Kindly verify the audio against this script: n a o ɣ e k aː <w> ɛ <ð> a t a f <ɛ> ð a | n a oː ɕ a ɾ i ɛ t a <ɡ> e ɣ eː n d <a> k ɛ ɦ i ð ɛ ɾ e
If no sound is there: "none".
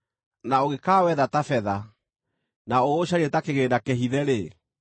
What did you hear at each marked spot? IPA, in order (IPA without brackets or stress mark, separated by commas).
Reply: w, ð, ɛ, k, a